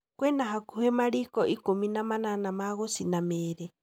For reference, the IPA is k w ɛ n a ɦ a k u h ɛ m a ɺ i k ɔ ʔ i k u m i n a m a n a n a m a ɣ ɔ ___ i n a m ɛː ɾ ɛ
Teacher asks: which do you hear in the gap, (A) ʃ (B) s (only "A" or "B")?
B